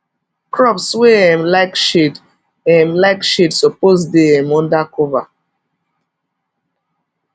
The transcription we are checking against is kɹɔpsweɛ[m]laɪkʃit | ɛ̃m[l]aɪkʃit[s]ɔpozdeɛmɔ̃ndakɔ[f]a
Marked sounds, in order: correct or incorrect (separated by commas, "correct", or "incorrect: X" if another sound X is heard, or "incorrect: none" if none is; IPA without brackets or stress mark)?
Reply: correct, correct, correct, incorrect: v